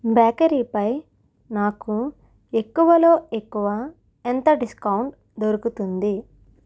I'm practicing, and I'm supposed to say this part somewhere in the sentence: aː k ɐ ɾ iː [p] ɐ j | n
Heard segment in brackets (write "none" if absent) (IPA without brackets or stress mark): p